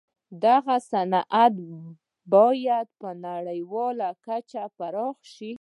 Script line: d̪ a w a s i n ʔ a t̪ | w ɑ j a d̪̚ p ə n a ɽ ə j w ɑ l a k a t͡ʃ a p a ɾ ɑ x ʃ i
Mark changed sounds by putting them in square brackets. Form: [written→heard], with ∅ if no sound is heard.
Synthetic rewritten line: d̪ a [w→ɣ] a s [i→a] n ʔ a t̪ | [w→b] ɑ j a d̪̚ p ə n a ɽ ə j w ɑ l a k a t͡ʃ a p a ɾ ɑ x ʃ i